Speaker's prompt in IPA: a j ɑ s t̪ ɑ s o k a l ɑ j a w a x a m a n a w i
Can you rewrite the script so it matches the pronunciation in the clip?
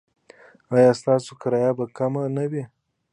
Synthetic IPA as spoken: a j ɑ s t̪ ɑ s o k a ɾ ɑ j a b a k a m a n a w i